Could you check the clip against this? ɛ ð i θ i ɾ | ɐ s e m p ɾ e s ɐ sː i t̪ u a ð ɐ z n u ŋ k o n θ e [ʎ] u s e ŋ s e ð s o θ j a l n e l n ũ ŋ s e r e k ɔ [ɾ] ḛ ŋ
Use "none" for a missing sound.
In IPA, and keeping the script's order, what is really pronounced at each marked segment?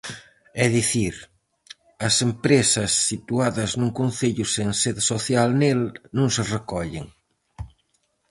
ʎ, ʎ

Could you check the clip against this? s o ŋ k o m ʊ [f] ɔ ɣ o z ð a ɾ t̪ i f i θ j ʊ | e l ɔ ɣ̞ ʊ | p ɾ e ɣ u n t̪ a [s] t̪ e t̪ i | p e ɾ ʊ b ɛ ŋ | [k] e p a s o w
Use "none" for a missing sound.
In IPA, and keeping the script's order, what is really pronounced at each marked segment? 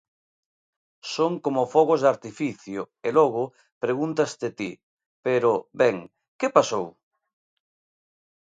f, s, k

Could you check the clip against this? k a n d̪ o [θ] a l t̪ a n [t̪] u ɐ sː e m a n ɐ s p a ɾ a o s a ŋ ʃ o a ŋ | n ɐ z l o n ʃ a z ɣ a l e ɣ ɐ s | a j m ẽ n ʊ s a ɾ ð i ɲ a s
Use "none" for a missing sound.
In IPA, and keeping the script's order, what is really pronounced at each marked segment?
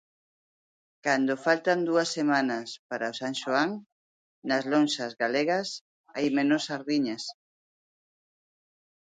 f, d̪

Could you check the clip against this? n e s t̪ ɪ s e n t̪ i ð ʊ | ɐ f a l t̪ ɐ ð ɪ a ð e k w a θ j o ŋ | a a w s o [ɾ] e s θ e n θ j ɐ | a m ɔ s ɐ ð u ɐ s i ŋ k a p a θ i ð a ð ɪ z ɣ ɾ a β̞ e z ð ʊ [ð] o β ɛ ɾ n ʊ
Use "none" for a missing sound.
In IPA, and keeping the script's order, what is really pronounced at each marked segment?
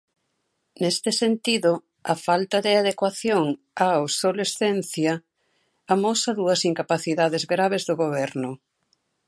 l, ɣ

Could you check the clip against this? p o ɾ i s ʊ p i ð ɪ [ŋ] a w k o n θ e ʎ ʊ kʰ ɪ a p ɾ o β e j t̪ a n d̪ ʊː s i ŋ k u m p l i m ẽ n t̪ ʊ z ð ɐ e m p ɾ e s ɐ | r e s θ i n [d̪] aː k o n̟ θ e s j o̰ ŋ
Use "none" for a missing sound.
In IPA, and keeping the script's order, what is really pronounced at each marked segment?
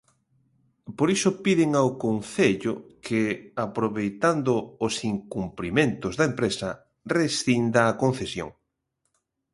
ŋ, d̪

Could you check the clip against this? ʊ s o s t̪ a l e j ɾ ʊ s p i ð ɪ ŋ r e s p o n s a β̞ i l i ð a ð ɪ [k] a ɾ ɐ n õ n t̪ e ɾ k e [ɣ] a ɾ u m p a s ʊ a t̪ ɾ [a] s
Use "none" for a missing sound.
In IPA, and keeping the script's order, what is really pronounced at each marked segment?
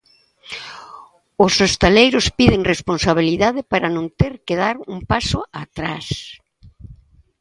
p, ð, a

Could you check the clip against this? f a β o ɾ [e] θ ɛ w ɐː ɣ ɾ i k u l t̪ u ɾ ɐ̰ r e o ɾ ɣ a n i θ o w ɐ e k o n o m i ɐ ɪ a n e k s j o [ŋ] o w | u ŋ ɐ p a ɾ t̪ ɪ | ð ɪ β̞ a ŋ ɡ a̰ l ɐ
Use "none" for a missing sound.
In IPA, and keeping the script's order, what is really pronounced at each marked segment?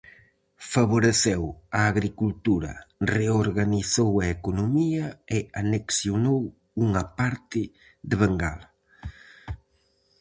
e, n

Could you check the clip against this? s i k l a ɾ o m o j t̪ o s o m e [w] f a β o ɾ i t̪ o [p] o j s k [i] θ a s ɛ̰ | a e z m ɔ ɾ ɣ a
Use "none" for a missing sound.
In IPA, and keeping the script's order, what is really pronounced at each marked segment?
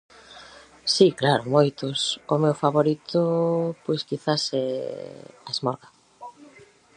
w, p, i

